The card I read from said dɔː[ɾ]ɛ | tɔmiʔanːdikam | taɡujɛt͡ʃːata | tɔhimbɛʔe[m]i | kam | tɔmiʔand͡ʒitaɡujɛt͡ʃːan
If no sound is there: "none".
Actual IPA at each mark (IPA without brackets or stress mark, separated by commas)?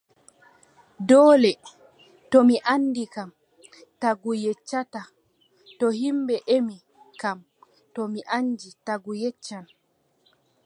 l, m